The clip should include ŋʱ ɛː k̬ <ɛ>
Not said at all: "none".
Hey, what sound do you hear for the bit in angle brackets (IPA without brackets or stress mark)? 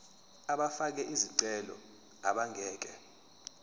ɛ